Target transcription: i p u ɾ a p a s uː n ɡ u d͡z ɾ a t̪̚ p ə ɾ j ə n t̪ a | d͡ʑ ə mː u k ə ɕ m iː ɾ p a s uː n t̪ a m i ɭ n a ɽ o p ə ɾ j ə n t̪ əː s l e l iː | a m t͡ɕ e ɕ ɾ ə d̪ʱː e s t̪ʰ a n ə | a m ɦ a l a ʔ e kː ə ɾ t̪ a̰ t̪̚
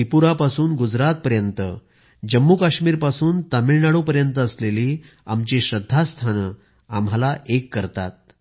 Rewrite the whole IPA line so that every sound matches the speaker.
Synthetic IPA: i p u ɾ a p a s uː n ɡ u d͡z ɾ a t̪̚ p ə ɾ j ə n t̪ ə | d͡ʑ ə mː u k a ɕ m iː ɾ p a s uː n t̪ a m i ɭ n a ɽ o p ə ɾ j ə n t̪ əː s l e l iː | a m t͡ɕ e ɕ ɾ ə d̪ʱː a s t̪ʰ a n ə | a m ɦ a l a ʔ e kː ə ɾ t̪ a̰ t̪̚

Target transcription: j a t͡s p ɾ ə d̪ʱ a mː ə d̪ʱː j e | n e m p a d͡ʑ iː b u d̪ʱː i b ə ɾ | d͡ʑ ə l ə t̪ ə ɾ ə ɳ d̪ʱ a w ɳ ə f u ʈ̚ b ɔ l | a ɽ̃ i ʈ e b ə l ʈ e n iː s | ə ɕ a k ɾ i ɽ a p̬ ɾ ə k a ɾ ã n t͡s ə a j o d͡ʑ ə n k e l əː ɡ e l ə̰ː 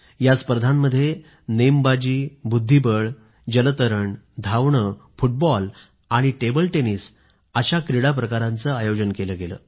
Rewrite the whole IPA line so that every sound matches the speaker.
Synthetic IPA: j a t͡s p ɾ ə d̪ʱ a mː ə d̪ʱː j e | n e m b a d͡ʑ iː b u d̪ʱː i b ə ɭ | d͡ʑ ə l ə t̪ ə ɾ ə ɳ d̪ʱ a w ɳ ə f u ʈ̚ b ɔ l | a ɽ̃ i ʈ e b ə l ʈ e n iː s | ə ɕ a k ɾ i ɽ a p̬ ɾ ə k a ɾ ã n t͡s ə a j o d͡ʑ ə n k e l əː ɡ e l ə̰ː

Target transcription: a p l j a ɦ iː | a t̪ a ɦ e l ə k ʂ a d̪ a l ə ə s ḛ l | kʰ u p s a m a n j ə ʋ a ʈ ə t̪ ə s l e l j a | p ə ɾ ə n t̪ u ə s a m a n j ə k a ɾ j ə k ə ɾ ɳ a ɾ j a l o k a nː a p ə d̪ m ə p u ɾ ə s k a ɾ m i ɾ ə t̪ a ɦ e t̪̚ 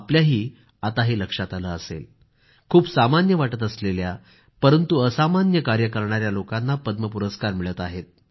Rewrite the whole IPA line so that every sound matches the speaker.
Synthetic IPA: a p l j a ɦ iː | a t̪ a ɦ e l ə k ʂ a t̪ a l ə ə s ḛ l | kʰ uː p s a m a n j ə ʋ a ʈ ə t̪ ə s l e l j a | p ə ɾ ə n t̪ u ə s a m a n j ə k a ɾ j ə k ə ɾ ɳ a ɾ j a l o k a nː a p ə d̪ m ə p u ɾ ə s k a ɾ m i ɭ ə t̪ a ɦ e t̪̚

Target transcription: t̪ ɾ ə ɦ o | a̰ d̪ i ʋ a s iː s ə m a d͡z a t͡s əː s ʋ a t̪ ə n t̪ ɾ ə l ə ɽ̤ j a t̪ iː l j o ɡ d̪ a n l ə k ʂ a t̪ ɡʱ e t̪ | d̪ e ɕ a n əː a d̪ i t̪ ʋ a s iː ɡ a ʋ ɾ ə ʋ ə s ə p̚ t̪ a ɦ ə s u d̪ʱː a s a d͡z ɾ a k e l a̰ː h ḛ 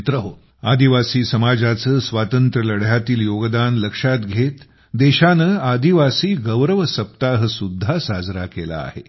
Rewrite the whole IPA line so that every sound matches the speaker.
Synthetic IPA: t̪ ɾ ə ɦ o | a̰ d̪ i ʋ a s iː s ə m a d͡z a t͡s əː s ʋ a t̪ ə n t̪ ɾ ə l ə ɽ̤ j a t̪ iː l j o ɡ d̪ a n l ə k ʂ a t̪ ɡʱ e t̪ | d̪ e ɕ a n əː a d̪ i ʋ a s iː ɡ ə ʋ ɾ ə ʋ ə s ə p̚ t̪ a ɦ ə s u d̪ʱː a s a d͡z ɾ a k e l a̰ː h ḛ

